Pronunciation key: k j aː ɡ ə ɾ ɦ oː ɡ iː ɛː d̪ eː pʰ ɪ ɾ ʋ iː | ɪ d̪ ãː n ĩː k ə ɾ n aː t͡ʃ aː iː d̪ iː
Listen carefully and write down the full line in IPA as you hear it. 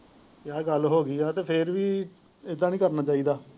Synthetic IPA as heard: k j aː ɡ ə l ɦ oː ɡ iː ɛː t̪ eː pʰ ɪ ɾ ʋ iː | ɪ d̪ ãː n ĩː k ə ɾ n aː t͡ʃ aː iː d̪ aː